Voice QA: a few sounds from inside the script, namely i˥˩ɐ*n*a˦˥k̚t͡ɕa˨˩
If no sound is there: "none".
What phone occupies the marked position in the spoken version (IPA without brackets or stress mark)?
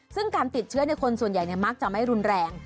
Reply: m